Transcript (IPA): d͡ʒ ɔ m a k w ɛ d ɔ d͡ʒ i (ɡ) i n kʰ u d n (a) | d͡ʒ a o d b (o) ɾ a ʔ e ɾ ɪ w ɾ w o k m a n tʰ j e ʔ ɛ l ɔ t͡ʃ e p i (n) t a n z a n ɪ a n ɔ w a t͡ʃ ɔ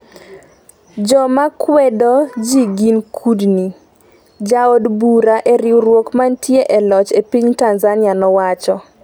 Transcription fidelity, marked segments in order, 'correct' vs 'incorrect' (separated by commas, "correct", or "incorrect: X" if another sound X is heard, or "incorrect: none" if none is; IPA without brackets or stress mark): correct, incorrect: i, incorrect: u, incorrect: ɲ